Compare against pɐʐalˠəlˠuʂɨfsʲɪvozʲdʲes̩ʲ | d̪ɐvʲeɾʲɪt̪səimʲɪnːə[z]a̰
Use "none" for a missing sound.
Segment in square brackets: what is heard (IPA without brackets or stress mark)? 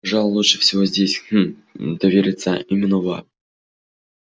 v